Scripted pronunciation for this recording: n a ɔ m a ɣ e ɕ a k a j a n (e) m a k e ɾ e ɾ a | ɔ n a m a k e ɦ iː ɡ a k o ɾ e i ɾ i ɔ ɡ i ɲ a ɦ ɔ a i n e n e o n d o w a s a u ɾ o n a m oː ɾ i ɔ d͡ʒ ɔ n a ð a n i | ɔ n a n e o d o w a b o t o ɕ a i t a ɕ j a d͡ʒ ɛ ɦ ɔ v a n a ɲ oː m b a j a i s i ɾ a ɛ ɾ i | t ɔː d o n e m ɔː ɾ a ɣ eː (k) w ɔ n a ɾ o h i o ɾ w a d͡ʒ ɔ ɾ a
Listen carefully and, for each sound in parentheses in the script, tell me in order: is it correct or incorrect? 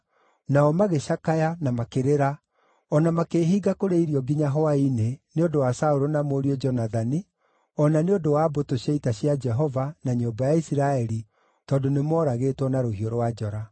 incorrect, incorrect

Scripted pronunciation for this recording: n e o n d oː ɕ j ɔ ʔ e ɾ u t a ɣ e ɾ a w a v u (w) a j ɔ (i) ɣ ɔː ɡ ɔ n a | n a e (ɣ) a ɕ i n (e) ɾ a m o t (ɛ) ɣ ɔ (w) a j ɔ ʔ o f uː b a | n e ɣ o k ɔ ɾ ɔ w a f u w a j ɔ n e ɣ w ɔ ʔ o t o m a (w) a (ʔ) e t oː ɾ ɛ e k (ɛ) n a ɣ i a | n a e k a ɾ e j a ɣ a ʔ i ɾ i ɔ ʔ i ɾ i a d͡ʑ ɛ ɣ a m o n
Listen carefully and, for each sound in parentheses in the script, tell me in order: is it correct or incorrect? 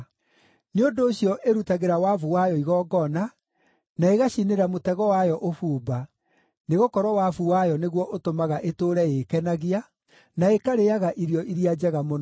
correct, correct, correct, correct, correct, correct, incorrect, correct, correct

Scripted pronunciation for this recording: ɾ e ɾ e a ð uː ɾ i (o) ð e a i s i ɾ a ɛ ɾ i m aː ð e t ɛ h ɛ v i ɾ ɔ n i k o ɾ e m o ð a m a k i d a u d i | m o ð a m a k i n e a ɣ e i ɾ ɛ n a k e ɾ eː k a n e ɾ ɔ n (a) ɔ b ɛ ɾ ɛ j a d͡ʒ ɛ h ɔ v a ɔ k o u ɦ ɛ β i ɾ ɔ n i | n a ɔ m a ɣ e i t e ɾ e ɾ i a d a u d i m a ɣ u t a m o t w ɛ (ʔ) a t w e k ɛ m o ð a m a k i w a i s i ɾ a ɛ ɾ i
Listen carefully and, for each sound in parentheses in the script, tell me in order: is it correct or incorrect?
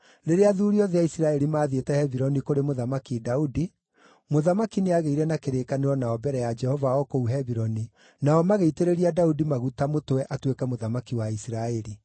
incorrect, correct, correct

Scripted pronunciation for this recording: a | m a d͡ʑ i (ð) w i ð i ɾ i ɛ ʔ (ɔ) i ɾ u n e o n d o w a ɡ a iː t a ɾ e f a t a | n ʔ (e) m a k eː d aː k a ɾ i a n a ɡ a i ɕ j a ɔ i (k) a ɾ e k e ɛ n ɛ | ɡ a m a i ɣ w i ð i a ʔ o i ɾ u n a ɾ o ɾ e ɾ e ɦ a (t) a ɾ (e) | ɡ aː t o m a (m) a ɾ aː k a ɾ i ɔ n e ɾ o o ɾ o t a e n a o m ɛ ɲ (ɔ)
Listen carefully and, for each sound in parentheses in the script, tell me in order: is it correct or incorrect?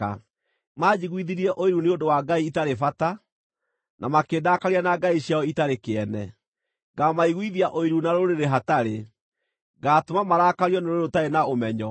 incorrect, incorrect, incorrect, incorrect, correct, correct, correct, correct

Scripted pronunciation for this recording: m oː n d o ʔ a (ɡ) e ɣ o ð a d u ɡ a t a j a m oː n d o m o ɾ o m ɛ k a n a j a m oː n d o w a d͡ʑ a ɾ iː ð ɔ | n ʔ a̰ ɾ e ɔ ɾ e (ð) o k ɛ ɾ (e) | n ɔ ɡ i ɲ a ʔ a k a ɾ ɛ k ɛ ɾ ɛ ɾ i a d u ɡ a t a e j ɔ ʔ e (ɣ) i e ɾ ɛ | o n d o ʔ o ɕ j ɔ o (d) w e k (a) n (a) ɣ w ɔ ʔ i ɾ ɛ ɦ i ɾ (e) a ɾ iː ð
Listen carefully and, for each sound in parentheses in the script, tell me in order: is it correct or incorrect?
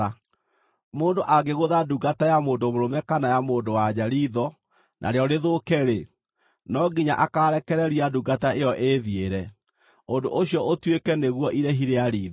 correct, correct, correct, incorrect, incorrect, incorrect, incorrect, correct

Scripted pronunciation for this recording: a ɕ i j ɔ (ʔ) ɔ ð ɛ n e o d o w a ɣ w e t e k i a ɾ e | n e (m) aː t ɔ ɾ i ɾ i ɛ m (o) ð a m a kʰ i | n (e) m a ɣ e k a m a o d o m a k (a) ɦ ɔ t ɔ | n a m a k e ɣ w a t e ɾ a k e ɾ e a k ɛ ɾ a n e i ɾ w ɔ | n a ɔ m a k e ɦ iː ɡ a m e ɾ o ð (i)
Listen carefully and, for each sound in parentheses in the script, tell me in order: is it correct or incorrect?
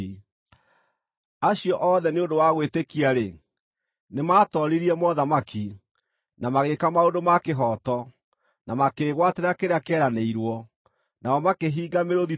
correct, correct, incorrect, incorrect, incorrect, correct

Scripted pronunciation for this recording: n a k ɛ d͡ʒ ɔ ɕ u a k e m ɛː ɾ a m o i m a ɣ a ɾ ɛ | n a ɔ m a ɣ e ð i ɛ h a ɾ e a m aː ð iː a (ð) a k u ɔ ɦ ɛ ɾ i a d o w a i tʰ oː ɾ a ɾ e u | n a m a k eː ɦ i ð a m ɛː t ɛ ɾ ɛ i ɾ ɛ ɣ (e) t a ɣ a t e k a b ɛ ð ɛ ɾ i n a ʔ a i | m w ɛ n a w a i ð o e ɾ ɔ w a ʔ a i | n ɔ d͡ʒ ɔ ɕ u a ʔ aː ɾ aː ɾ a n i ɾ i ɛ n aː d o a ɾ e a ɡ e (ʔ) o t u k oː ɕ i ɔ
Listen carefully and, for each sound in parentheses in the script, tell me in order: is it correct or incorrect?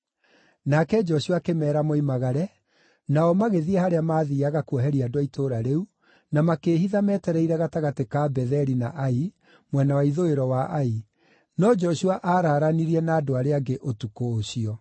incorrect, incorrect, correct

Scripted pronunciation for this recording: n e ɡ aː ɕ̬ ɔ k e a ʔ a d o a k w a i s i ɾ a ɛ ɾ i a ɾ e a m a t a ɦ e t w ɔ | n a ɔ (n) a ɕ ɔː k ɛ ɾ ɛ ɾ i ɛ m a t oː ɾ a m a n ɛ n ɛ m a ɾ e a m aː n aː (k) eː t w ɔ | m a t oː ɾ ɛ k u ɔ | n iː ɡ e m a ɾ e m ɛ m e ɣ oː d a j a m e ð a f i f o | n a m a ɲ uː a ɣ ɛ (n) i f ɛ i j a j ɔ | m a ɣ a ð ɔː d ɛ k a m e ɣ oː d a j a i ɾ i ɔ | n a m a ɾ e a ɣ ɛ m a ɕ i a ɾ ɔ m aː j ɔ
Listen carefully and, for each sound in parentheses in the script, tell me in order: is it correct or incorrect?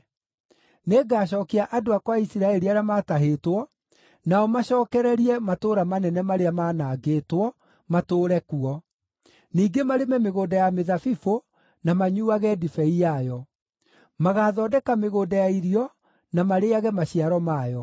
incorrect, incorrect, incorrect

